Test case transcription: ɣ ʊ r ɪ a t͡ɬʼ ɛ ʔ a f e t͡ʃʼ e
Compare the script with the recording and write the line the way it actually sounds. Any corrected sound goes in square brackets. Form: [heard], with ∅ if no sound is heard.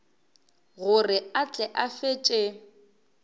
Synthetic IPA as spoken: ɣ ʊ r ɪ a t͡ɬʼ ɛ ʔ a f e t͡ʃʼ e